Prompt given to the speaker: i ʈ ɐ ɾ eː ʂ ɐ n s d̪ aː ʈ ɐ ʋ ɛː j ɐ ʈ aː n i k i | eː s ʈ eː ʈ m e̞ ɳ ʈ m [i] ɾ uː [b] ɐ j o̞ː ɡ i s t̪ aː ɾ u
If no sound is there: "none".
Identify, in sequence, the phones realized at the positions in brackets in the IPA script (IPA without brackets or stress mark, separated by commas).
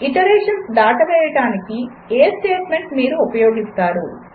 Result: iː, p